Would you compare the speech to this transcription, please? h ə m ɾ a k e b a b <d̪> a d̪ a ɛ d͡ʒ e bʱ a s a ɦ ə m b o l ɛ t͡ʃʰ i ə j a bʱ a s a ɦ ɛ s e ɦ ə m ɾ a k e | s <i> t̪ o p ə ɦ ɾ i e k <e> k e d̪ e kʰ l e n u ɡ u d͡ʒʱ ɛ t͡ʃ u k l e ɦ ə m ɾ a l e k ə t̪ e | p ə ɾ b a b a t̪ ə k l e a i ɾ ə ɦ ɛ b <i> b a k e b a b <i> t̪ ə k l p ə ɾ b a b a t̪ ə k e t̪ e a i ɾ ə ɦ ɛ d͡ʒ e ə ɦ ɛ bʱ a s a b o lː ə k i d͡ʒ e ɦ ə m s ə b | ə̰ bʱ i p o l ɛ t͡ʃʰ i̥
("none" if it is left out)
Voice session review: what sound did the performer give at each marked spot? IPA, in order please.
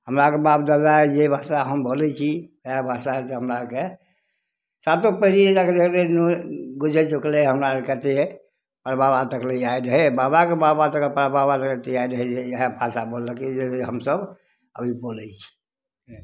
d̪, a, a, a, a

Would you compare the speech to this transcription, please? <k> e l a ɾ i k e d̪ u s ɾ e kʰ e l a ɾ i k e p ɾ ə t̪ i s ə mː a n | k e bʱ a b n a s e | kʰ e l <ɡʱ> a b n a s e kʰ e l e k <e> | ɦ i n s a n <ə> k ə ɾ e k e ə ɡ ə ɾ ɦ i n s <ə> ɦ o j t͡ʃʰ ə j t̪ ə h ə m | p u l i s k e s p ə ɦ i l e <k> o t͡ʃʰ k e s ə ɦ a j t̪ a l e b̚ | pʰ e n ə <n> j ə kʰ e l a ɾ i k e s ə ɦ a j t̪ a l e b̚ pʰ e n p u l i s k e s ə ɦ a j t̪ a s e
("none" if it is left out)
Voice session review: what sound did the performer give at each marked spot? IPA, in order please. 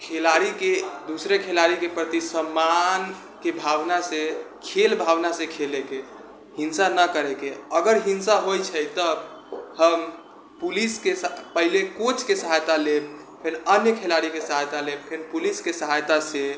kʰ, bʱ, e, ə, a, k, n

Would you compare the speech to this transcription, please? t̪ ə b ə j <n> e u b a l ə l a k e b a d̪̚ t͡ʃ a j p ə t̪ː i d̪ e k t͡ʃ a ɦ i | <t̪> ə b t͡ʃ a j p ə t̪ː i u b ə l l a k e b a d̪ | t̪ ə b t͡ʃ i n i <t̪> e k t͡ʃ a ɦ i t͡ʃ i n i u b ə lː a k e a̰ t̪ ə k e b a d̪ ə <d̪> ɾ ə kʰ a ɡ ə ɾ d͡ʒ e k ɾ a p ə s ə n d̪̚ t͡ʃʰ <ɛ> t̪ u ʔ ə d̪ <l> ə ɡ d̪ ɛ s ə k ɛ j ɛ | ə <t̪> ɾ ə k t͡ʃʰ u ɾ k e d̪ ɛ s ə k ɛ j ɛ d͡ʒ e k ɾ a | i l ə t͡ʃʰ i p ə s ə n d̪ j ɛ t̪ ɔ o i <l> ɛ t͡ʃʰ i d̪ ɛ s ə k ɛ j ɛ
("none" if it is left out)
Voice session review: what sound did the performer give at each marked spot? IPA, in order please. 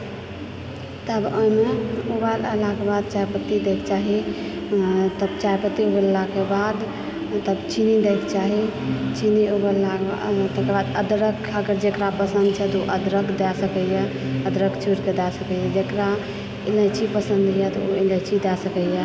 m, t̪, d̪, d̪, ɛ, ɾ, d̪, l

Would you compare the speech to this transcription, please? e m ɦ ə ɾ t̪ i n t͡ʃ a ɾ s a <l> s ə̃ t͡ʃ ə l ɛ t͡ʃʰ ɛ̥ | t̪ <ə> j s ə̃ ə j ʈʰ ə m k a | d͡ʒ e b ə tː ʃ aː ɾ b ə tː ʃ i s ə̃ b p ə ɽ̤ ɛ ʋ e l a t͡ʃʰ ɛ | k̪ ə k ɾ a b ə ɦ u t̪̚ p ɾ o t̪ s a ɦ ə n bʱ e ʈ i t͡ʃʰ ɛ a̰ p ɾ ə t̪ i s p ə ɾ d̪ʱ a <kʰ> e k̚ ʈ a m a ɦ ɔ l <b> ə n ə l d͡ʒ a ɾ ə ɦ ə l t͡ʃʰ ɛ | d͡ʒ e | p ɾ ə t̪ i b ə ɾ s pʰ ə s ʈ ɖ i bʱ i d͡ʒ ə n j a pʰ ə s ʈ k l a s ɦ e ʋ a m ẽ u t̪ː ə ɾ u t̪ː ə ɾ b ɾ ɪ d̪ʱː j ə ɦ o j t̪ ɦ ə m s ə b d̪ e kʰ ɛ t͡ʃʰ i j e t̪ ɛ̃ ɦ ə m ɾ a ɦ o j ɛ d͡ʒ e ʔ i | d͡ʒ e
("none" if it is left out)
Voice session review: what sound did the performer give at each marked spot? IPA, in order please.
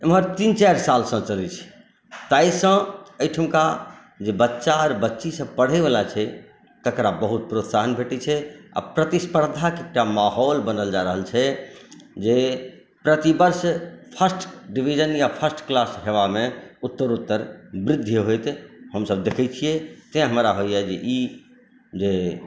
l, a, k, b

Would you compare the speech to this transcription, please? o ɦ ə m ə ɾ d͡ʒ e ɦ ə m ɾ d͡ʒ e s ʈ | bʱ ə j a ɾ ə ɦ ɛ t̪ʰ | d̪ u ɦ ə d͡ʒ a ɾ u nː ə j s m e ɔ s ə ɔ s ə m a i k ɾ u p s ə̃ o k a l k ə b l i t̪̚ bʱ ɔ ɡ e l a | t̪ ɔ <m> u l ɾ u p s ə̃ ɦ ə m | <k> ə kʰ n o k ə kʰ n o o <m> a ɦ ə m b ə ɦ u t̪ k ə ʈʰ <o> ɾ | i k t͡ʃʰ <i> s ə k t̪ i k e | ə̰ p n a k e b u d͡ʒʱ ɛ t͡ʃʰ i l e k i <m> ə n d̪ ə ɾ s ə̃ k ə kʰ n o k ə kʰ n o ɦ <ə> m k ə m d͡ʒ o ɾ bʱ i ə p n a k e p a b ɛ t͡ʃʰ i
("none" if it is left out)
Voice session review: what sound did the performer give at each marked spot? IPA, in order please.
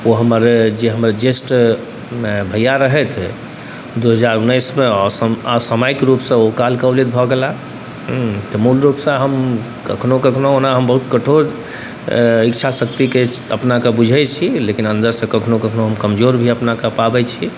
m, k, n, o, a, n, ə

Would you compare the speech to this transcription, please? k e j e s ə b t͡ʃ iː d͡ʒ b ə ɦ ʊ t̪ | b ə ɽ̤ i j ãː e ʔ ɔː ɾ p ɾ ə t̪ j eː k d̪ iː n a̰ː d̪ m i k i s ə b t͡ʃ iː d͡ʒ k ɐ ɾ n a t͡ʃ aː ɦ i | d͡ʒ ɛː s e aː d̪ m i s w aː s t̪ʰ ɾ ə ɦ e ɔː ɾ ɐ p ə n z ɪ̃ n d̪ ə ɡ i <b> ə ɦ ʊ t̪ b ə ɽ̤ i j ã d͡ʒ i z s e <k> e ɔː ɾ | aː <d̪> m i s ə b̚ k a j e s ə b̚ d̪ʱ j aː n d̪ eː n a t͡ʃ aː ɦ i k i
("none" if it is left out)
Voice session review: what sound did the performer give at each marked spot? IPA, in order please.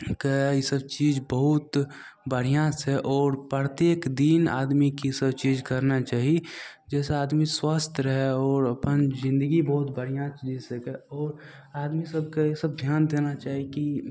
b, k, d̪

